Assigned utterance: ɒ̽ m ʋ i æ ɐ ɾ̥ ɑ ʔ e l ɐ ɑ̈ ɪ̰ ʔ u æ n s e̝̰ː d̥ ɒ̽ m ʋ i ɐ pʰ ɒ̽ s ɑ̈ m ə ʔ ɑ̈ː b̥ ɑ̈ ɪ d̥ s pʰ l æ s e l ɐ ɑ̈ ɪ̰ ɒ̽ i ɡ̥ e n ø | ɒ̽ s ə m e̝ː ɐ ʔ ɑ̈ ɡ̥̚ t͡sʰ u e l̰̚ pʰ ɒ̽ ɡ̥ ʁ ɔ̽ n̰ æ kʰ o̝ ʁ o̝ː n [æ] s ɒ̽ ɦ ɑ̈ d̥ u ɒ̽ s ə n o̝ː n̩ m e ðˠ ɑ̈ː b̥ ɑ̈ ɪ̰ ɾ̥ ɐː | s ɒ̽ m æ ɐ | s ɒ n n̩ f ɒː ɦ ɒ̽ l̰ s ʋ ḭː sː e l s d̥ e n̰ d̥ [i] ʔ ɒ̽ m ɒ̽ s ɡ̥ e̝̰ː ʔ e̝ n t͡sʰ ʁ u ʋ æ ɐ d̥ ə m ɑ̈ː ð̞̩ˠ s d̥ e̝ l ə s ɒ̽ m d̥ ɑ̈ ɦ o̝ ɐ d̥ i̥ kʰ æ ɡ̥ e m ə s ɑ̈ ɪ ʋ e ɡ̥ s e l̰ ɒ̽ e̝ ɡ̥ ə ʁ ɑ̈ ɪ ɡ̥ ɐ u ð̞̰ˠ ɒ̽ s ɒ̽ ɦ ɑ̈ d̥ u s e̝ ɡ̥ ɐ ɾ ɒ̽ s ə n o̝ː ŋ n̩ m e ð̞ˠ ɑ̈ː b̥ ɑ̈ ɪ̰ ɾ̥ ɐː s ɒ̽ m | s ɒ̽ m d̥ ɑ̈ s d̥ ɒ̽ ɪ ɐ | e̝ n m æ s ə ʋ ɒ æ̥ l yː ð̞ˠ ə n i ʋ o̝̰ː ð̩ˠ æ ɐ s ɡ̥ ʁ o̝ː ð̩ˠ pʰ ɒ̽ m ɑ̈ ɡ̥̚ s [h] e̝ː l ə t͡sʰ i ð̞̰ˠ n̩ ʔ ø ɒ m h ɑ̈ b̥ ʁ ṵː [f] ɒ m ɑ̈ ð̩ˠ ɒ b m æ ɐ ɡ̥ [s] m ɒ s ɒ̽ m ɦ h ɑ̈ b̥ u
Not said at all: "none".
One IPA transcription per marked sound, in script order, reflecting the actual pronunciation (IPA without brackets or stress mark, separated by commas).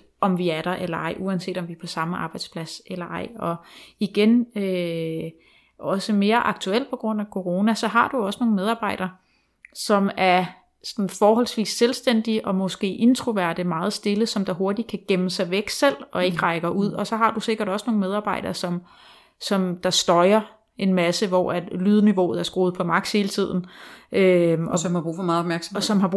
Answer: æ, i, h, f, s